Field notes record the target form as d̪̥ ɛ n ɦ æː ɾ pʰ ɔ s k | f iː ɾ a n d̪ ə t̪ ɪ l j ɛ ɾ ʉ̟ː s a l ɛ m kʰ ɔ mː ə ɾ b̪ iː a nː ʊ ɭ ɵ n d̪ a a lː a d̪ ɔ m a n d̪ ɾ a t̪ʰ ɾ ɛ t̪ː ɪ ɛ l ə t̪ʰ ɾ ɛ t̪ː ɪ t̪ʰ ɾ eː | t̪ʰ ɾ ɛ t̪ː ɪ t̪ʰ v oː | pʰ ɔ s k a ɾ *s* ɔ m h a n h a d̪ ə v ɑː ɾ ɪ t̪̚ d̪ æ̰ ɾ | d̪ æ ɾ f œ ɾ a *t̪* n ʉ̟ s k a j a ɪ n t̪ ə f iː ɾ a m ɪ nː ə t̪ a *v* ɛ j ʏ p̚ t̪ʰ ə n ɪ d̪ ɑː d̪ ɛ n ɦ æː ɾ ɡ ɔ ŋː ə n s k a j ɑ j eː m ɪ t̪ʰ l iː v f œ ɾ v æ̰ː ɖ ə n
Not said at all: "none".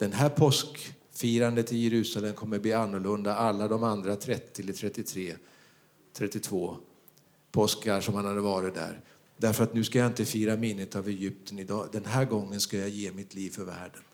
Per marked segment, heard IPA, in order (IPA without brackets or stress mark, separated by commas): ʂ, t̪, v